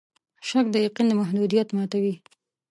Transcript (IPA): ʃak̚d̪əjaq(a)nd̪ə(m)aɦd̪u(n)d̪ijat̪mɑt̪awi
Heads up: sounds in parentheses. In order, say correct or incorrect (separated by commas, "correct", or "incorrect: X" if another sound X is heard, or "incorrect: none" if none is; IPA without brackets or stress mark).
incorrect: i, correct, incorrect: none